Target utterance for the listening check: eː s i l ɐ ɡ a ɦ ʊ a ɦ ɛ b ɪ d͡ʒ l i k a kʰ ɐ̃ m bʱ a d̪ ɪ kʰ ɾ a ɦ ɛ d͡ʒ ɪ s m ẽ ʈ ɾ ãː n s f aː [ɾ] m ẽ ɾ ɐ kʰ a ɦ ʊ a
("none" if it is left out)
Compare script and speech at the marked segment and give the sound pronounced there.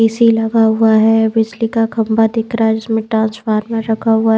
ɾ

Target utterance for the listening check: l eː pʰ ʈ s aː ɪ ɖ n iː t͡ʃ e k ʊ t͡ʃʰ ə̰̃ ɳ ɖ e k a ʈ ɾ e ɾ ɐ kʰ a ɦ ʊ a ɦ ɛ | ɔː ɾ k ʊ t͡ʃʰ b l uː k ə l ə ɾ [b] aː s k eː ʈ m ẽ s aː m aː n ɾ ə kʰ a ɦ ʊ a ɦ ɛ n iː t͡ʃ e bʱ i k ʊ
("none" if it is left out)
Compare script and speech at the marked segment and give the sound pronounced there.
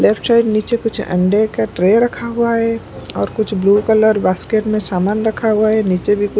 b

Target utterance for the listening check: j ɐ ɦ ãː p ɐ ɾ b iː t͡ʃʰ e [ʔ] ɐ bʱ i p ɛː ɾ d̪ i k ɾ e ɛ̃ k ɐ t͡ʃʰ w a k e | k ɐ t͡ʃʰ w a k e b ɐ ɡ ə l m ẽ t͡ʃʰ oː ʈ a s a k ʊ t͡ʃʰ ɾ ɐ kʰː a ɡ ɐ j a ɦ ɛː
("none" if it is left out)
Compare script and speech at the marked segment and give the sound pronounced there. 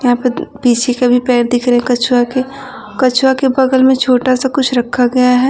k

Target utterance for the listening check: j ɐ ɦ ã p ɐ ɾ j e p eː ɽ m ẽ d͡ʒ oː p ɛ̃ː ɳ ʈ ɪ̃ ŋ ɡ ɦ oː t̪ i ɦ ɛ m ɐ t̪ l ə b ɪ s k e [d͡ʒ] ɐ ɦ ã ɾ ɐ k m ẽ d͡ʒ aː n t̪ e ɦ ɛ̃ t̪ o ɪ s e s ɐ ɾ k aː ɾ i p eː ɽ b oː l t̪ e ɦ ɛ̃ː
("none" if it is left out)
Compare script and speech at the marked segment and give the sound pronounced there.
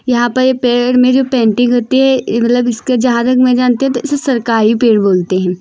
d͡ʒ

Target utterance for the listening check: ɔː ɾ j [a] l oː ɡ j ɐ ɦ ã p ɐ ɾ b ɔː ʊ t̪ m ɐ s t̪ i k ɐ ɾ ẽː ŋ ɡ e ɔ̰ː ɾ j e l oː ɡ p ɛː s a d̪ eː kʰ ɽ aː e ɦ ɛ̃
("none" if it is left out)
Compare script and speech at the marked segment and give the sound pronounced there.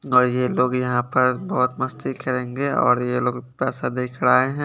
e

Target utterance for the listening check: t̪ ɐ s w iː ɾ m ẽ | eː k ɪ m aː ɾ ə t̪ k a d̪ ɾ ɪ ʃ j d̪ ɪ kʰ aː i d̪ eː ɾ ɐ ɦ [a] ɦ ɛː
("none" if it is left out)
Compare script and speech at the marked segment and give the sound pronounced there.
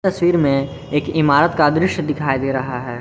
a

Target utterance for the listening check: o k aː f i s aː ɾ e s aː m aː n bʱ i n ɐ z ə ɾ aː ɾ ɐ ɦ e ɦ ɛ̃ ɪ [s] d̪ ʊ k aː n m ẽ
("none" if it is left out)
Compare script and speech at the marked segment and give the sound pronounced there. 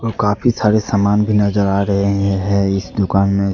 s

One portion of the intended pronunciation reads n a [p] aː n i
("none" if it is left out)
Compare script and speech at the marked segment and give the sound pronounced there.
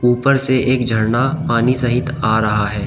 p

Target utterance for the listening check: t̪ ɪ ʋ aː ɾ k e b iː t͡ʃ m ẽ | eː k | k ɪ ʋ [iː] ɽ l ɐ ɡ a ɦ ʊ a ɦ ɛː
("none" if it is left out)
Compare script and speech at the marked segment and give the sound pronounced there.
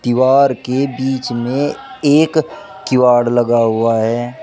aː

